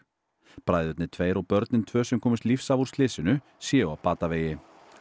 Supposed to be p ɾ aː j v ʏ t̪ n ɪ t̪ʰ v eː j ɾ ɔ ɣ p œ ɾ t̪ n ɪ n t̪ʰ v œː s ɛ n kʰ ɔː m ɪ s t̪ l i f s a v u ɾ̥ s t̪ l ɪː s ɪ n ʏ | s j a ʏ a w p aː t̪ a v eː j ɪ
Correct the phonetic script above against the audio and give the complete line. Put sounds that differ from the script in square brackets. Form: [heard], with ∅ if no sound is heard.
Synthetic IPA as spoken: p ɾ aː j [ð] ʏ t̪ n ɪ t̪ʰ v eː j ɾ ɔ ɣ p œ ɾ t̪ n ɪ n t̪ʰ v œː s ɛ [m] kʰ ɔː m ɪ s t̪ l i f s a v u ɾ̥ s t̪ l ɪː s ɪ n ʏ | s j [ɛ] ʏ a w p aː t̪ a v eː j ɪ